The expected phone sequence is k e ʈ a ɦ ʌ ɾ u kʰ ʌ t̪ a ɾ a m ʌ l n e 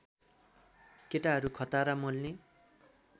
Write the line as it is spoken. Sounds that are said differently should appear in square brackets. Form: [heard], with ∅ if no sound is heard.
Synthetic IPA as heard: k e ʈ a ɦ ʌ ɾ u kʰ ʌ t̪ a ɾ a m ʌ l n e